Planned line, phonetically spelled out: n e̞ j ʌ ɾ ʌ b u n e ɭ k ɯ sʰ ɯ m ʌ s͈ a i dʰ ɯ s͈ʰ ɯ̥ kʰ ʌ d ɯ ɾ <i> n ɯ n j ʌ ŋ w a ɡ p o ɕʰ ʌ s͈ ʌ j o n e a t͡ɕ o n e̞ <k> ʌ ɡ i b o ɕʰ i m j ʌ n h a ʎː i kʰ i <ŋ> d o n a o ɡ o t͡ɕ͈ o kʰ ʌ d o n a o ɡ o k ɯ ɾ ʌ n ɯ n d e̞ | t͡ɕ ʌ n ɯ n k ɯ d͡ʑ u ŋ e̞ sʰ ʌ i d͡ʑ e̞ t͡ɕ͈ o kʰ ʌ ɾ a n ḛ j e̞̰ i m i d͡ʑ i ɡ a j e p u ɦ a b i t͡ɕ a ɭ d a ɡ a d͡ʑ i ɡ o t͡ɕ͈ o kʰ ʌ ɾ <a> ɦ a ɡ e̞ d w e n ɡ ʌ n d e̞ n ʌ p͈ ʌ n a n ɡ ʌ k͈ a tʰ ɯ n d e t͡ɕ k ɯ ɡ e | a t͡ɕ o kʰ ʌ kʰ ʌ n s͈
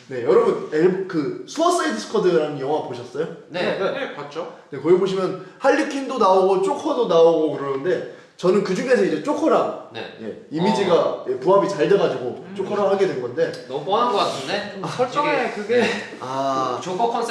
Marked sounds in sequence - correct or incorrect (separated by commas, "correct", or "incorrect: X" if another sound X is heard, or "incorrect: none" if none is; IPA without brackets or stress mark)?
incorrect: a, correct, incorrect: n, correct